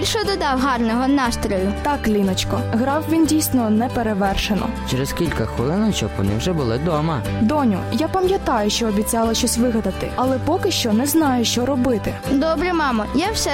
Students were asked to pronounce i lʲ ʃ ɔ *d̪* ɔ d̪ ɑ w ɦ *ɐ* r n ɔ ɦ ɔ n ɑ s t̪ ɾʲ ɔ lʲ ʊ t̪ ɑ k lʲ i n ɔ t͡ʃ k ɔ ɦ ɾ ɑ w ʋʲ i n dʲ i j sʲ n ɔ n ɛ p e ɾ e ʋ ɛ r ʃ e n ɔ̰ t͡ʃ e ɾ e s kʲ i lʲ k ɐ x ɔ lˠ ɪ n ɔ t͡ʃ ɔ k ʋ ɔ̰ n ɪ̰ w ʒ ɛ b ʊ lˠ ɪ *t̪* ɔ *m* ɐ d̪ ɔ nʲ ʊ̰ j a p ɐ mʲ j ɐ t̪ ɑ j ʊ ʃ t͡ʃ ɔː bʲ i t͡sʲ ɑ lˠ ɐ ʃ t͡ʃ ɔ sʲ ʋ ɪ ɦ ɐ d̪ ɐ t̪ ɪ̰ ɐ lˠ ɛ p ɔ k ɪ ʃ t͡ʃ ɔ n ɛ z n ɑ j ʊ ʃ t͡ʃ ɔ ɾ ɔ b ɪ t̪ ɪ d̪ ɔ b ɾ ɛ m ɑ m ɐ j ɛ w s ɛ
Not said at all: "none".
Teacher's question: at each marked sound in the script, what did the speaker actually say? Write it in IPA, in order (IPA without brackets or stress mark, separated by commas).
d̪, ɑ, d̪, m